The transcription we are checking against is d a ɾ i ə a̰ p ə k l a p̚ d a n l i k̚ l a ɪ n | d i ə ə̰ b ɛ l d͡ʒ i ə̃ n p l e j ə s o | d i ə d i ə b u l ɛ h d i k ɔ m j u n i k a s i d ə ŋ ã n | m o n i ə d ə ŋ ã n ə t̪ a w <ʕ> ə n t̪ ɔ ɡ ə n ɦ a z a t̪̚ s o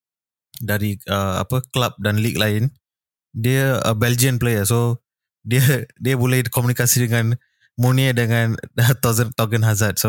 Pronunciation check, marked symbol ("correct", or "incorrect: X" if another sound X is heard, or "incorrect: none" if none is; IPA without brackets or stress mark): incorrect: z